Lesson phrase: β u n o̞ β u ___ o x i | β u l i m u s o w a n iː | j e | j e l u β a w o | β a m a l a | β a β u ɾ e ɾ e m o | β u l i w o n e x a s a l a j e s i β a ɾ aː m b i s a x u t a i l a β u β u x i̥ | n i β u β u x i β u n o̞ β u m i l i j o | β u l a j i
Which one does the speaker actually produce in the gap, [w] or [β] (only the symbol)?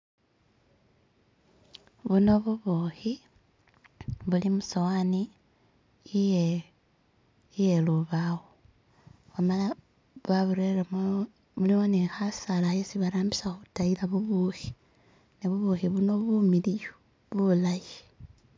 β